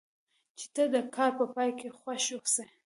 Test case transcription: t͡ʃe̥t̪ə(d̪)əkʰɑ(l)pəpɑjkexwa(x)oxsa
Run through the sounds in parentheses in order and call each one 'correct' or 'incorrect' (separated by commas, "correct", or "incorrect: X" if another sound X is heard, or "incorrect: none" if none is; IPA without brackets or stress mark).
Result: correct, incorrect: ɾ, incorrect: ʃ